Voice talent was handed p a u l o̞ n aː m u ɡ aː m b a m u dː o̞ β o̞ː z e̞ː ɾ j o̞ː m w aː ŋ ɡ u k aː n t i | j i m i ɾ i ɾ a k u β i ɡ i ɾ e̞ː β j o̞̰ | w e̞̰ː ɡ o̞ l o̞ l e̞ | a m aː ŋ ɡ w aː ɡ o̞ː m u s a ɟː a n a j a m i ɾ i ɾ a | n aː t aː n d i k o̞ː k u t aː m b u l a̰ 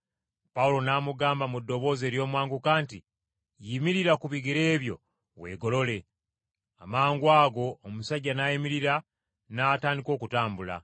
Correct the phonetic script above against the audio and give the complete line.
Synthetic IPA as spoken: p a u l o̞ n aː m u ɡ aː m b a m u dː o̞ β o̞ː z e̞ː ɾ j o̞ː m w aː ŋ ɡ u k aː n t i | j i m i ɾ i ɾ a k u β i ɡ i ɾ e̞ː β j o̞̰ | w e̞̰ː ɡ o̞ l o̞ l e̞ | a m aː ŋ ɡ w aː ɡ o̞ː m u s a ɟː a n a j i m i ɾ i ɾ a | n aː t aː n d i k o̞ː k u t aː m b u l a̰

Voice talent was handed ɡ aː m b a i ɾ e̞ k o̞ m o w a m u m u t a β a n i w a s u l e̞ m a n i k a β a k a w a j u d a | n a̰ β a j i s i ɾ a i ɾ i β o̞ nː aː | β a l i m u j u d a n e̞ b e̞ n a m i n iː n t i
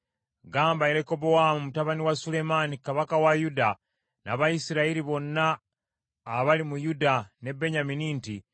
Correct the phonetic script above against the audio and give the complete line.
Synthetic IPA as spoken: ɡ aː m b a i ɾ e̞ k o̞ b o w a m u m u t a β a n i w a s u l e̞ m a n i k a β a k a w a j u d a | n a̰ β a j i s i ɾ a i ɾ i β o̞ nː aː | β a l i m u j u d a n e̞ b e̞ ɲ a m i n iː n t i

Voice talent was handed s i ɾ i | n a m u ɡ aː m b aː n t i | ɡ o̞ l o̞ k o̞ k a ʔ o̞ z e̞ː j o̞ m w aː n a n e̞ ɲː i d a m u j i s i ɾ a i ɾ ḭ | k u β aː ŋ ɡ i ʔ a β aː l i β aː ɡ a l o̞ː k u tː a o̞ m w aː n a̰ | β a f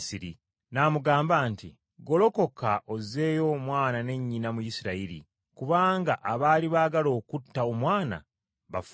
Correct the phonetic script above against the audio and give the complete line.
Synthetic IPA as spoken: s i ɾ i | n a m u ɡ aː m b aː n t i | ɡ o̞ l o̞ k o̞ k a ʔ o̞ z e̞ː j o̞ m w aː n a n e̞ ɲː i n a m u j i s i ɾ a i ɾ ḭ | k u β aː ŋ ɡ a ʔ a β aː l i β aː ɡ a l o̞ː k u tː a o̞ m w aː n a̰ | β a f

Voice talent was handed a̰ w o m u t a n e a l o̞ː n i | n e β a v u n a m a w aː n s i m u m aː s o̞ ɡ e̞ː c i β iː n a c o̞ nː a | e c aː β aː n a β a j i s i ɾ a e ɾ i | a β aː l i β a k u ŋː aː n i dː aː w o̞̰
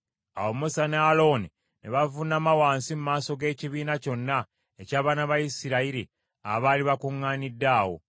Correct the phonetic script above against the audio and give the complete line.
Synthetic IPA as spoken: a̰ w o m u s a n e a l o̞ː n i | n e β a v u n a m a w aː n s i m u m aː s o̞ ɡ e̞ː c i β iː n a c o̞ nː a | e c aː β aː n a β a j i s i ɾ a i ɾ i | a β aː l i β a k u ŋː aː n i dː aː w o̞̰

